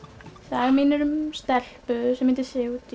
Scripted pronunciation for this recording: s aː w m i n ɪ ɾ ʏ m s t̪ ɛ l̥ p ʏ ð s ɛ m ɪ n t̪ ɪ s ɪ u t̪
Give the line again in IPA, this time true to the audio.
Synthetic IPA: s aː ɣ m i n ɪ ɾ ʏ m s t̪ ɛ l̥ p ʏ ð s ɛ m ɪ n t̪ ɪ s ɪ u t̪